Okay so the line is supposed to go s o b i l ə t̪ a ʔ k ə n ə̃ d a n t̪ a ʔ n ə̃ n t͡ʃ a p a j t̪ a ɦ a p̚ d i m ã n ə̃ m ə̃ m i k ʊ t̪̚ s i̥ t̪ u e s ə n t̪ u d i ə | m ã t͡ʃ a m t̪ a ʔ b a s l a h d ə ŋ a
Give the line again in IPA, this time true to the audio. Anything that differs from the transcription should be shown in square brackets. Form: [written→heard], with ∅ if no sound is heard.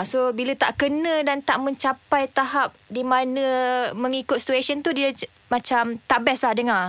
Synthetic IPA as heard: s o b i l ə t̪ a ʔ k ə n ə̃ d a n t̪ a ʔ [n→m] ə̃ [n→ɲ] t͡ʃ a p a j t̪ a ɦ a p̚ d i m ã n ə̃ m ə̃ [m→ŋ] i k ʊ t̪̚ s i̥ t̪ u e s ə n t̪ u d i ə | m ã t͡ʃ a m t̪ a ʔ b [a→ɛ] s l a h d ə ŋ a